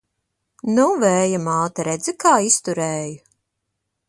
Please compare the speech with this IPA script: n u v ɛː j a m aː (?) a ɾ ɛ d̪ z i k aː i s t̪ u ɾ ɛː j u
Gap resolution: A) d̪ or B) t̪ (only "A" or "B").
B